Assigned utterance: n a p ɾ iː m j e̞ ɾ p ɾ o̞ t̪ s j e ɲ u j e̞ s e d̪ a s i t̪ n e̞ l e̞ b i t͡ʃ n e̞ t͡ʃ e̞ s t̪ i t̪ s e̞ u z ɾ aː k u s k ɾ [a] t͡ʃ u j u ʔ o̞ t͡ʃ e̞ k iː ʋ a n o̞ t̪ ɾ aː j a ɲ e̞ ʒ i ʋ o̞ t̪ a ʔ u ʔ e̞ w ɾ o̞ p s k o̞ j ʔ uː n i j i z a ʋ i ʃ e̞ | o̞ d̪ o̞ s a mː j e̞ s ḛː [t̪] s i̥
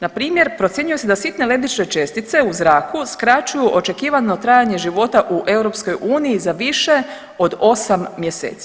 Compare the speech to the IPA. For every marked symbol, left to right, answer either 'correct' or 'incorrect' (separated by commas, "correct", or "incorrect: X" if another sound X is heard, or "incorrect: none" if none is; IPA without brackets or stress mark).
correct, correct